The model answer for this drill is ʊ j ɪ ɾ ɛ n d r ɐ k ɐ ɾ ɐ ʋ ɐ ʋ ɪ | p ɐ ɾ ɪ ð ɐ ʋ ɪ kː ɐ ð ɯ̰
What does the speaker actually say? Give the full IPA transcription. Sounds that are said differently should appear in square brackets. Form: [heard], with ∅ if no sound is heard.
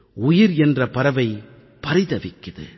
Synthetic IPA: ʊ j ɪ ɾ ɛ n d r ɐ [p] ɐ ɾ ɐ ʋ ɐ [∅] ɪ | p ɐ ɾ ɪ ð ɐ ʋ ɪ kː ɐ ð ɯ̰